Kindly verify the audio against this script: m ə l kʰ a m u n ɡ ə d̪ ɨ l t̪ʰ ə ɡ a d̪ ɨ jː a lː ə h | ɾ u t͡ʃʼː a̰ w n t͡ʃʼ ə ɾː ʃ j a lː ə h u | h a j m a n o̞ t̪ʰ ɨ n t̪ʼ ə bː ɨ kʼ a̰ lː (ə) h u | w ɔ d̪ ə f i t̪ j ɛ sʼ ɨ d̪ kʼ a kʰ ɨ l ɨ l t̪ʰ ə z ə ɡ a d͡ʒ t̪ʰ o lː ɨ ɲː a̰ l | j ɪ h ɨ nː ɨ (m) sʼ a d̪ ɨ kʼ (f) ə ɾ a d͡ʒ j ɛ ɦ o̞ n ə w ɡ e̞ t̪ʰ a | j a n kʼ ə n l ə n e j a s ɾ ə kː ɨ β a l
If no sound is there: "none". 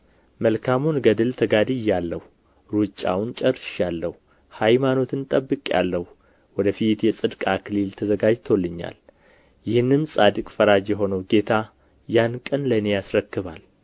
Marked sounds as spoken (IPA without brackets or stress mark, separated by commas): ə, m, f